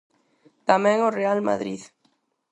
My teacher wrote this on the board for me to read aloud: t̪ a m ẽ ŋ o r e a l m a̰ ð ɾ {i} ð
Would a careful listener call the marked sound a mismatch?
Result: no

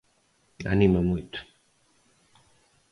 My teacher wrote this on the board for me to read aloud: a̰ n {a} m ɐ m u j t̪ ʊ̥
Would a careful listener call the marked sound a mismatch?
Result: yes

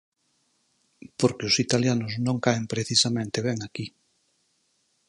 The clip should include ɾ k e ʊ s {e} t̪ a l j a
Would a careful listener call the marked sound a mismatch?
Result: yes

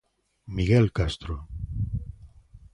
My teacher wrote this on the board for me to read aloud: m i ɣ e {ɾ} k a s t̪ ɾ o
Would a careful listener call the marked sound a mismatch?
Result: yes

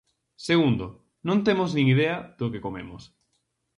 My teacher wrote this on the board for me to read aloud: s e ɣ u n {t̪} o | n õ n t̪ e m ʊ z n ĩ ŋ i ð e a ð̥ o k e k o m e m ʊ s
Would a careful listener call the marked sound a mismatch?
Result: yes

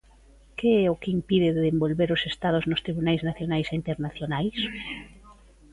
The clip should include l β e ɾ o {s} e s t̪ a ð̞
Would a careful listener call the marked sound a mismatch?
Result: no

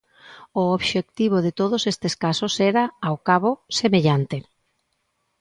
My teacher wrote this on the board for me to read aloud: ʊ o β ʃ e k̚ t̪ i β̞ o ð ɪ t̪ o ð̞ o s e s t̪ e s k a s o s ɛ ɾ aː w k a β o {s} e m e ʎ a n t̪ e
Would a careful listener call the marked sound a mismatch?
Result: no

